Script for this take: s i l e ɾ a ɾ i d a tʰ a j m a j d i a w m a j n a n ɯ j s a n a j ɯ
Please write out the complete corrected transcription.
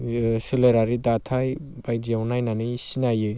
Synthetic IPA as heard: s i l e ɾ a ɾ i d a tʰ a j b a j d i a w n a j n a n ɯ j s i n a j ɯ